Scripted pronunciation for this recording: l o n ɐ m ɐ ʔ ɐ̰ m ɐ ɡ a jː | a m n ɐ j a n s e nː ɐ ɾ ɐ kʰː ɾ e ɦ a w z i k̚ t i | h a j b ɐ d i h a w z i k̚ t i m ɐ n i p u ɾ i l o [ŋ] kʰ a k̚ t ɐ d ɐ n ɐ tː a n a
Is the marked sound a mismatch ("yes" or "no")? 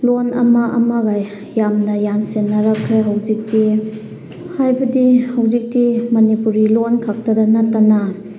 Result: yes